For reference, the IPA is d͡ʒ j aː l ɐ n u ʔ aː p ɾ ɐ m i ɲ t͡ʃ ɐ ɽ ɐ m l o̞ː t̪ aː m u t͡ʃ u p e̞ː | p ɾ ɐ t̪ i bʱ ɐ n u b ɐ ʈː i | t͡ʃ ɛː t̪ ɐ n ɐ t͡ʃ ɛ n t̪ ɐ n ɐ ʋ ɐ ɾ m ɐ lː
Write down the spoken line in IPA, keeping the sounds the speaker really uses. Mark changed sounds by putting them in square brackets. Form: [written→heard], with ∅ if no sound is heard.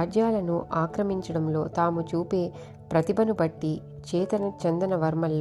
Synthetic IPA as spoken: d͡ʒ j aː l ɐ n u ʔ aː [p→k] ɾ ɐ m i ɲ t͡ʃ ɐ ɽ ɐ m l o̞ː t̪ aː m u t͡ʃ [u→uː] p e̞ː | p ɾ ɐ t̪ i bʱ ɐ n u b ɐ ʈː i | t͡ʃ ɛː t̪ ɐ n ɐ t͡ʃ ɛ n [t̪→d̪] ɐ n ɐ ʋ ɐ ɾ m ɐ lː